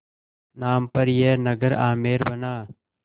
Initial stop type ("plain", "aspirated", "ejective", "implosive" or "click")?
plain